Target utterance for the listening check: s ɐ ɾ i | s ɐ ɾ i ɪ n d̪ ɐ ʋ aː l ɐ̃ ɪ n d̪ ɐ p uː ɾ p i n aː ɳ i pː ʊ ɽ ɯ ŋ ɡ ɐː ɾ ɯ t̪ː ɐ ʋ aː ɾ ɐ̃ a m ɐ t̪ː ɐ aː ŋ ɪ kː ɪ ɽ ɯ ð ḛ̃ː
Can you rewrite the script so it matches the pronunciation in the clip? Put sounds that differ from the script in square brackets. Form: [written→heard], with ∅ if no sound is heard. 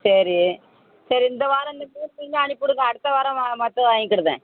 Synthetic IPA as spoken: s ɐ ɾ i | s ɐ ɾ i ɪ n d̪ ɐ ʋ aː [l→ɾ] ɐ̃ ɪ n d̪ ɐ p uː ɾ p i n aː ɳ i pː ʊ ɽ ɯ ŋ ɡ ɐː [ɾ→ɽ] ɯ t̪ː ɐ ʋ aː ɾ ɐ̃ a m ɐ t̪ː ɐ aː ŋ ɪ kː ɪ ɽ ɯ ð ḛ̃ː

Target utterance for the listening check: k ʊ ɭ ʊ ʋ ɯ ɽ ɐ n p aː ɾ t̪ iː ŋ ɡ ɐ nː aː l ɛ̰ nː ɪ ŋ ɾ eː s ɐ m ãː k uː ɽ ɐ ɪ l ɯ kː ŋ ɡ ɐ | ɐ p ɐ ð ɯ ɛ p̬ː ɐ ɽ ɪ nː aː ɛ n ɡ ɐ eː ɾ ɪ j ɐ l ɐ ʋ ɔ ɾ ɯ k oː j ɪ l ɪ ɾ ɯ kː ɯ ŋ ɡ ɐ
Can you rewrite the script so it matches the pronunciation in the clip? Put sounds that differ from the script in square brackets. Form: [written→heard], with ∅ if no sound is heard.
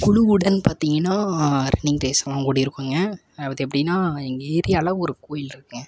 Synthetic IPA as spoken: k ʊ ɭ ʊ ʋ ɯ ɽ ɐ n p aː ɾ t̪ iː ŋ ɡ ɐ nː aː [l→ɾ] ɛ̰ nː ɪ ŋ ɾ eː s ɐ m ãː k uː ɽ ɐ ɪ [l→ɾ] ɯ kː ŋ ɡ ɐ | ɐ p ɐ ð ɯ ɛ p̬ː ɐ ɽ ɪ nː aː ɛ [n→ŋ] ɡ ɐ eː ɾ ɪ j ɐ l ɐ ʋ ɔ ɾ ɯ k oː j ɪ l ɪ ɾ ɯ kː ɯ ŋ ɡ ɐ

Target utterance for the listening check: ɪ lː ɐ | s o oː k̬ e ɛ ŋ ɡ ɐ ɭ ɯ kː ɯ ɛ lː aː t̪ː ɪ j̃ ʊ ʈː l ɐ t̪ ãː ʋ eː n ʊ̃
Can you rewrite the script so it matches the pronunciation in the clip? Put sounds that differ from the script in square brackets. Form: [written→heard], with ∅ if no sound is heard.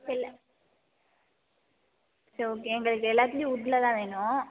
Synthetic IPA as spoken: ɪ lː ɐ | s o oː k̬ e ɛ ŋ ɡ ɐ ɭ ɯ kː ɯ ɛ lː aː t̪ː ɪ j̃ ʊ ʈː l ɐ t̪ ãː ʋ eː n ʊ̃

